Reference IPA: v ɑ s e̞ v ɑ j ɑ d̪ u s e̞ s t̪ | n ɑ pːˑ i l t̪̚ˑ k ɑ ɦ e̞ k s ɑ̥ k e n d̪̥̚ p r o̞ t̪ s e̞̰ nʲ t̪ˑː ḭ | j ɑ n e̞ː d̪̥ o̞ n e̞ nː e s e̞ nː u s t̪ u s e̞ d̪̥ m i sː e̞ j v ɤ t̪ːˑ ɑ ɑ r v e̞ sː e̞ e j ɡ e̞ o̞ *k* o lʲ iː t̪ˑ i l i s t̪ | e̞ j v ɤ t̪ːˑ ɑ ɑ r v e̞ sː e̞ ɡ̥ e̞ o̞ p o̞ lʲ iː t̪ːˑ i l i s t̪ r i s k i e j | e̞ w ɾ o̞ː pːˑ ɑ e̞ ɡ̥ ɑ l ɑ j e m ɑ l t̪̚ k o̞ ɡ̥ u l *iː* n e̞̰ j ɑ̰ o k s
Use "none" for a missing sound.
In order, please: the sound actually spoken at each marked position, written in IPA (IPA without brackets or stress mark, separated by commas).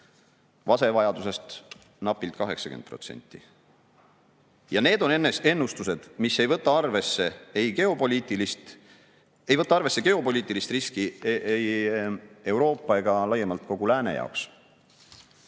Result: p, æː